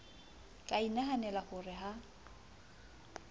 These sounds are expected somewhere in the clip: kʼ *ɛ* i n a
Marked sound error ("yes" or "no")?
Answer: yes